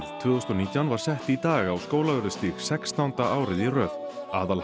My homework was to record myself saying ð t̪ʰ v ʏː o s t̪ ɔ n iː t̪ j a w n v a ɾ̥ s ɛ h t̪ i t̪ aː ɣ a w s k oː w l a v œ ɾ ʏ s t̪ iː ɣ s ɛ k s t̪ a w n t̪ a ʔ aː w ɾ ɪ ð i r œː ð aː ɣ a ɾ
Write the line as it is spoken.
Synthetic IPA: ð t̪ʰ v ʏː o s t̪ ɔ n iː t̪ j a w n v a ɾ̥ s ɛ h t̪ i t̪ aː ɣ a w s k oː w l a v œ ɾ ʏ s t̪ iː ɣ s ɛ k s t̪ a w n t̪ a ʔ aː w ɾ ɪ ð i r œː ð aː ð a l